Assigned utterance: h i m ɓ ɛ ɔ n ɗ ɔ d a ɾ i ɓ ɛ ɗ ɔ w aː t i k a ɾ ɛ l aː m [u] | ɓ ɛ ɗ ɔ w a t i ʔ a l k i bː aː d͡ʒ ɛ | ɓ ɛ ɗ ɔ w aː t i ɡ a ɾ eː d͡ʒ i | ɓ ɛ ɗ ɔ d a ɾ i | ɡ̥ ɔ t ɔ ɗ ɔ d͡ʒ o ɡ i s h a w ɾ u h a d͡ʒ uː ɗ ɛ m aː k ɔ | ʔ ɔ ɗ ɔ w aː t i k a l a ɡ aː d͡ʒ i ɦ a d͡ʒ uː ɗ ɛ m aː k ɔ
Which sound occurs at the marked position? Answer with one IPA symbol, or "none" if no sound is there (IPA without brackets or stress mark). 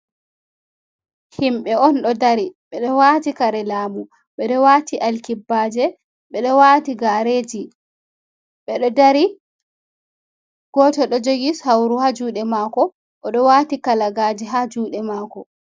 u